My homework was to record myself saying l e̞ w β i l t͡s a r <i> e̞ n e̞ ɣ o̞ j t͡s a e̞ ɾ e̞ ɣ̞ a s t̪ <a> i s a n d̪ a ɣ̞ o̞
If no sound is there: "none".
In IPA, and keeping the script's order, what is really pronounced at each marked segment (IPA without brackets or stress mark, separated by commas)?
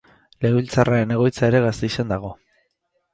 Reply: a, e